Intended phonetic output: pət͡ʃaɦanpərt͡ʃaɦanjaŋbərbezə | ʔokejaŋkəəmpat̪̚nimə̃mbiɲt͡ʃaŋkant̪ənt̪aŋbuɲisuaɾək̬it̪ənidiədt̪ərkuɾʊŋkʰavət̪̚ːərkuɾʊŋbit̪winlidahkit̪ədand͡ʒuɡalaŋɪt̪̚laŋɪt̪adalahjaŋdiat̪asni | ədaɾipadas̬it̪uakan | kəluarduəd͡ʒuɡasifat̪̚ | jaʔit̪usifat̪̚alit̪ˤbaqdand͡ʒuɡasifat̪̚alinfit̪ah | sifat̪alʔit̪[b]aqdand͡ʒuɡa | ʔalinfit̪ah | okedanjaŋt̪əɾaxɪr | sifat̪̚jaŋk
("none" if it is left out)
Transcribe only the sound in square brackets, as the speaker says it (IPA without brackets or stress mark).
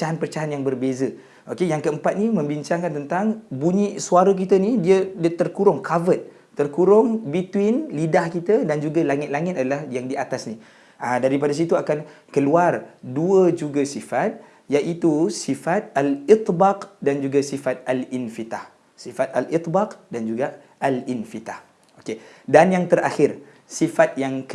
b